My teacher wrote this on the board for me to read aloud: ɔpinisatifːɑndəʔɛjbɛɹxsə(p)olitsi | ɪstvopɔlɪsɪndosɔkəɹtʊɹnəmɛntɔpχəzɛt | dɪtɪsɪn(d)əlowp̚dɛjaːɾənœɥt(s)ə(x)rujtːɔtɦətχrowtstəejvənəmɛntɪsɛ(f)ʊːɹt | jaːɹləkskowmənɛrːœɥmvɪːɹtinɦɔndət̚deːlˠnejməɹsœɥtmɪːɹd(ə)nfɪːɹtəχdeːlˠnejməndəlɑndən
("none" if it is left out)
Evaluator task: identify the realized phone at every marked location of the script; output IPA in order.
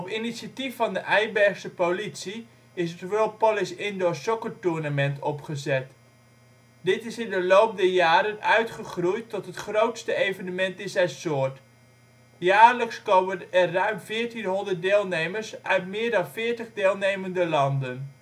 p, d, χ, χ, s, ɑ

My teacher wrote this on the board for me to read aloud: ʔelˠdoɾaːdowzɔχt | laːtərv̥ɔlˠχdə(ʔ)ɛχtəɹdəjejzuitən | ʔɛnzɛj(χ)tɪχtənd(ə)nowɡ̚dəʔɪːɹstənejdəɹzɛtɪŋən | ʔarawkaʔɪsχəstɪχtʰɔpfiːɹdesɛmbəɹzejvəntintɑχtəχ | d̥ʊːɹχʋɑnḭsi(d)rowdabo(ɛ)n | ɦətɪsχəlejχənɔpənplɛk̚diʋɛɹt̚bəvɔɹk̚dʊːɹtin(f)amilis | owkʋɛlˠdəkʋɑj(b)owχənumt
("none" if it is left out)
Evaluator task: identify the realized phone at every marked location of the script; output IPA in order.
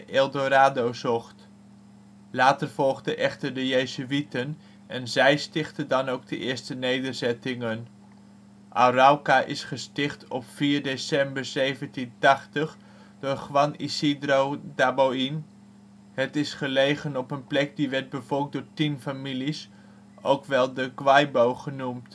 ʔ, s, ɑ, d, i, f, b

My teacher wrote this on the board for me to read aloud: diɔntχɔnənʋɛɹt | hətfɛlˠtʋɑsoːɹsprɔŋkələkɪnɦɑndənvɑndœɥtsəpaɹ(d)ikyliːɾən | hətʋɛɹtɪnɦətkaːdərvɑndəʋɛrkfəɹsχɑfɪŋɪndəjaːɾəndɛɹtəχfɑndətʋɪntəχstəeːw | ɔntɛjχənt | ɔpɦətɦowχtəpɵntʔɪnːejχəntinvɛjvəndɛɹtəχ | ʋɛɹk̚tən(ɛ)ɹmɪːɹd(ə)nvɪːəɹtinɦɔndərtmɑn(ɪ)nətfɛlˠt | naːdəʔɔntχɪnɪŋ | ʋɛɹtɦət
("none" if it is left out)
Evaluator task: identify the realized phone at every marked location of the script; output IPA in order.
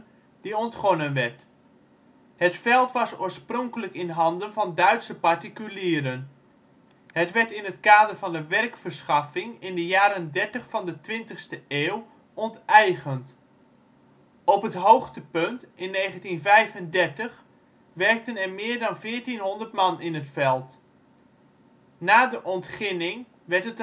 t, ɛ, ɑ, ɪ

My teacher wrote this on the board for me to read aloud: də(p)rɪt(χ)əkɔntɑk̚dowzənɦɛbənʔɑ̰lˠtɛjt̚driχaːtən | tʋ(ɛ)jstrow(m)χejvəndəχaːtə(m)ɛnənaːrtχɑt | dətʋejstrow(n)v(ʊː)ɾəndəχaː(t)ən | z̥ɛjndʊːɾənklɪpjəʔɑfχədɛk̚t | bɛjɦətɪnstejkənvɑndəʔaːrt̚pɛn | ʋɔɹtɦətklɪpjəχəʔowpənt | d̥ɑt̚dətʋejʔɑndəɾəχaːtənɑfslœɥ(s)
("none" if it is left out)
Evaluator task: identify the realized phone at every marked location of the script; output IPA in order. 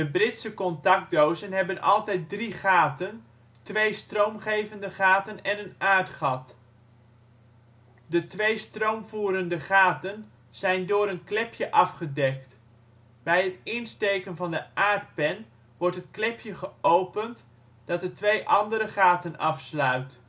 b, s, e, m, n, m, uː, t, t

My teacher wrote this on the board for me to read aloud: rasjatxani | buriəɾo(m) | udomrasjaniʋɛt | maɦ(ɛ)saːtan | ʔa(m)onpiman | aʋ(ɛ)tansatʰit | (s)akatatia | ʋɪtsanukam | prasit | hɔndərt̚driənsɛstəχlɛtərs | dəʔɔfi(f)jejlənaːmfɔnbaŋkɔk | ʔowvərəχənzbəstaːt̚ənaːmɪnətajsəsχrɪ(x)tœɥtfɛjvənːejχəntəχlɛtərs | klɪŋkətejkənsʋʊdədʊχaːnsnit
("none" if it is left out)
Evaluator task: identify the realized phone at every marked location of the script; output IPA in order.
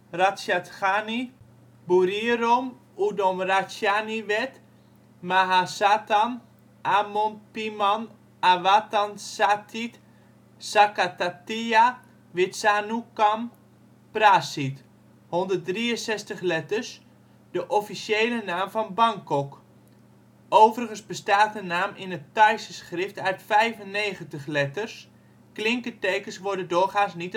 m, a, m, a, s, s, f

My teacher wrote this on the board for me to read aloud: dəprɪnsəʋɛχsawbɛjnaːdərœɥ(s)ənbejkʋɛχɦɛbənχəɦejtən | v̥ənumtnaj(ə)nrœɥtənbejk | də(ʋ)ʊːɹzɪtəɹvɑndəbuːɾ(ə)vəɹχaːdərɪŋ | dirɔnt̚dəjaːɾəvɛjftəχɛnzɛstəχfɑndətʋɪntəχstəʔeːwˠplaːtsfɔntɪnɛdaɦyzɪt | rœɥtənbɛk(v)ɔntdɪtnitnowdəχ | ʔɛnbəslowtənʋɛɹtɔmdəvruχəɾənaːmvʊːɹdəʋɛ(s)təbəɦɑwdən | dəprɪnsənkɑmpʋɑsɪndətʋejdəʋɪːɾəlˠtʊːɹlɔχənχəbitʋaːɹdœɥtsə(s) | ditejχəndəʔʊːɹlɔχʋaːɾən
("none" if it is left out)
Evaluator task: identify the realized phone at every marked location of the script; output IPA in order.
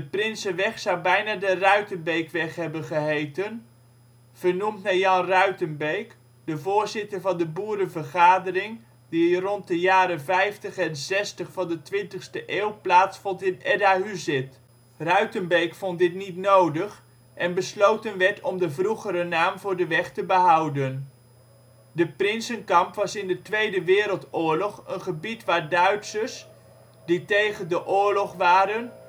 t, ɑ, v, ə, f, χ, s

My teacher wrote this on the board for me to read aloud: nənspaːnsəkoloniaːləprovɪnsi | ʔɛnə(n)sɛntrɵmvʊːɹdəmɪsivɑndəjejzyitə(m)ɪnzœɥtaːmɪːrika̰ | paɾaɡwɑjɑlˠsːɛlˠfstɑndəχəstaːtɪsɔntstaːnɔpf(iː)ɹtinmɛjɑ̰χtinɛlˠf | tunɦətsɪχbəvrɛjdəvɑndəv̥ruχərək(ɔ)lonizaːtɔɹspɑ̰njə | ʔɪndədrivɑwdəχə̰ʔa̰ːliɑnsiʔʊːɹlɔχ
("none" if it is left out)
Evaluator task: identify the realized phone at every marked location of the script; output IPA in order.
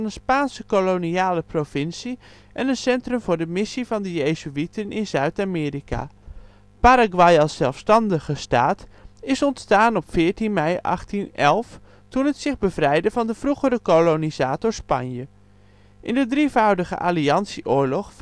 n, n, ɪː, o

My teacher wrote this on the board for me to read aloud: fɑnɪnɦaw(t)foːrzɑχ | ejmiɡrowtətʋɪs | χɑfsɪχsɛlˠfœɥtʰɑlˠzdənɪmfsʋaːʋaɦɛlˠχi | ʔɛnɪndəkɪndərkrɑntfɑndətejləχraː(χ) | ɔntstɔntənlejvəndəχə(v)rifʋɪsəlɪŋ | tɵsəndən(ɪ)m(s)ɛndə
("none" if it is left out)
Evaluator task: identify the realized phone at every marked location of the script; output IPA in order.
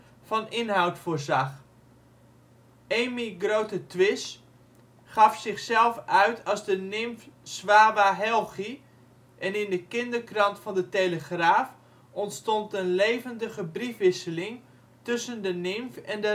t, f, b, ɪ, f

